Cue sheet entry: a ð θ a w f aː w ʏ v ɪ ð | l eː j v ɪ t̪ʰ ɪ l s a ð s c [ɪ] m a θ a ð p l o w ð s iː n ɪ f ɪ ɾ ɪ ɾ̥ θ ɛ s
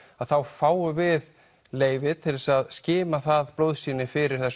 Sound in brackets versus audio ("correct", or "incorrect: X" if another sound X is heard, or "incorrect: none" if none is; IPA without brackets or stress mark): incorrect: ɪː